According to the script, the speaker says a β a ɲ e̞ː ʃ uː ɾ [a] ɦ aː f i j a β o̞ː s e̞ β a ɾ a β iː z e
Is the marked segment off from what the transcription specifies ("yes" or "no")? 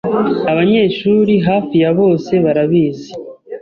yes